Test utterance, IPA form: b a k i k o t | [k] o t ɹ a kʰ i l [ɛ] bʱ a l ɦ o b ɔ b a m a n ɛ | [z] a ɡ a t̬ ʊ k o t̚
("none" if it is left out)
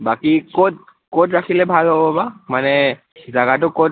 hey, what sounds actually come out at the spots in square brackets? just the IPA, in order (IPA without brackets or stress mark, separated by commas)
k, ɛ, z